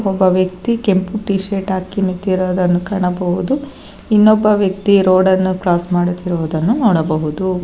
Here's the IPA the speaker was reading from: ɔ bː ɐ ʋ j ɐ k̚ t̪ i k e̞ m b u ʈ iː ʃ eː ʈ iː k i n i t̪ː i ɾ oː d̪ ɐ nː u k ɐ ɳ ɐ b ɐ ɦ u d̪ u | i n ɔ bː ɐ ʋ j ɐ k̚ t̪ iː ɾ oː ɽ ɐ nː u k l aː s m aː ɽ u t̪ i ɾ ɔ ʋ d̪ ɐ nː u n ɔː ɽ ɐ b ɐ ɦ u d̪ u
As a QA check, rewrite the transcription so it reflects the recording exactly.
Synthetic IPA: ɔ bː ɐ ʋ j ɐ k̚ t̪ i k e̞ m p u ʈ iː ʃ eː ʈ aː k i n i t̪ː i ɾ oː d̪ ɐ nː u k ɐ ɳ ɐ b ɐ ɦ u d̪ u | i nː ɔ bː ɐ ʋ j ɐ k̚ t̪ i ɾ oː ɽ ɐ nː u k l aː s m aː ɽ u t̪ i ɾ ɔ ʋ d̪ ɐ nː u n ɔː ɽ ɐ b ɐ ɦ u d̪ u